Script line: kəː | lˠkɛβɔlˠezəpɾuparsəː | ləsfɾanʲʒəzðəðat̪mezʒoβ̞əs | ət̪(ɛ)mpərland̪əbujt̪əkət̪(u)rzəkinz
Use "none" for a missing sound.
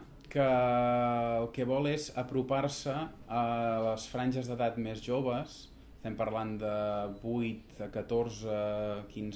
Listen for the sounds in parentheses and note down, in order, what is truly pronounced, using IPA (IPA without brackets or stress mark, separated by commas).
ɛ, o